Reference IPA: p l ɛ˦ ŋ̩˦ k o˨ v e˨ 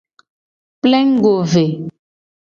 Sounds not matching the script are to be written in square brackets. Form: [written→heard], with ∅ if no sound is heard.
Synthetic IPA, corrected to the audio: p l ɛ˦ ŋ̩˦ [k→ɡ] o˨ v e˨